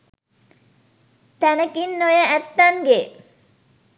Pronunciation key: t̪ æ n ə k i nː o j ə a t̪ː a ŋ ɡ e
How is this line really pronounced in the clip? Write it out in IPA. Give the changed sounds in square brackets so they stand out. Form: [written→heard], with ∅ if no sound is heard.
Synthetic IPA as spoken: t̪ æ n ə k i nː o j ə [a→æ] t̪ː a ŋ ɡ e